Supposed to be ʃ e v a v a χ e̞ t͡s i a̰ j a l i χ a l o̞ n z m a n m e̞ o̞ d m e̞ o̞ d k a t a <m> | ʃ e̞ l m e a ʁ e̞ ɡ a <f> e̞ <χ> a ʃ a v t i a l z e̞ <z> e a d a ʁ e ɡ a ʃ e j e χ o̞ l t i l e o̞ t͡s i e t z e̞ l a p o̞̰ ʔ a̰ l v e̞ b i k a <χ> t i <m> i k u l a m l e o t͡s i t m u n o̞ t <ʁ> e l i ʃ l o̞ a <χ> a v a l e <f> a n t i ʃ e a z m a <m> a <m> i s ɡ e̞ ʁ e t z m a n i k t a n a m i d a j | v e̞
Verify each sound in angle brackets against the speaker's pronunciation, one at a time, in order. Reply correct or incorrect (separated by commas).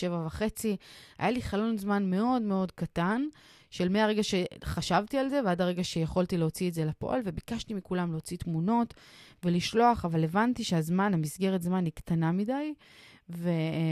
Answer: incorrect, incorrect, correct, incorrect, incorrect, correct, incorrect, correct, incorrect, incorrect, correct